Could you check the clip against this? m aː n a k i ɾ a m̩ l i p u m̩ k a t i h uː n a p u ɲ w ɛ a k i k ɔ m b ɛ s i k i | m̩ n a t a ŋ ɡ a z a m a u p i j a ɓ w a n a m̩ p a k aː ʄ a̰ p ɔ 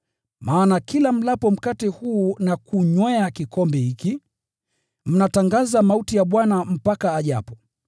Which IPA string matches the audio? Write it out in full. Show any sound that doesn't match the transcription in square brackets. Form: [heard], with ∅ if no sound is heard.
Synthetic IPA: m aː n a k i [l] a m̩ l [a] p [ɔ] m̩ k a t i h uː n a [k] u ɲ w ɛ a k i k ɔ m b ɛ [h] i k i | m̩ n a t a ŋ ɡ a z a m a u [t] i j a ɓ w a n a m̩ p a k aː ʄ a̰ p ɔ